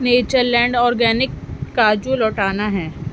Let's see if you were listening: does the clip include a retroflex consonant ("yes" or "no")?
yes